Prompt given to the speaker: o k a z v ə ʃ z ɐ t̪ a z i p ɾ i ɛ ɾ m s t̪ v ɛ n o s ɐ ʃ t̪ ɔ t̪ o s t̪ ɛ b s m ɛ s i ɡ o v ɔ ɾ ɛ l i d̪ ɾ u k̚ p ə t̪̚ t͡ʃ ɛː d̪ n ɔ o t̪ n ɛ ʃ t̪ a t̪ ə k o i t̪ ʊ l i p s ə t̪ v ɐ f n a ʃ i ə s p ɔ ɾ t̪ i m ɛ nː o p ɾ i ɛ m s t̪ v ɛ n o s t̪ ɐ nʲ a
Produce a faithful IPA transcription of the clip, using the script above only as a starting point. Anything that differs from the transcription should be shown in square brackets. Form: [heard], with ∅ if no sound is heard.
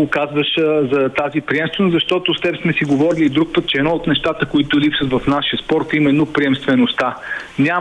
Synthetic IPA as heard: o k a z v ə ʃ z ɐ t̪ a z i p ɾ i ɛ [∅] m s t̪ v ɛ n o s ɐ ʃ t̪ ɔ t̪ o s t̪ ɛ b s m ɛ s i ɡ o v ɔ ɾ [i] l i d̪ ɾ u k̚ p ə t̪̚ t͡ʃ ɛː d̪ n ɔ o t̪ n ɛ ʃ t̪ a t̪ ə k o i t̪ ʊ l i p s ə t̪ v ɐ f n a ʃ i ə s p ɔ ɾ t̪ i m ɛ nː o p ɾ i ɛ m s t̪ v ɛ n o s t̪ [a] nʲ a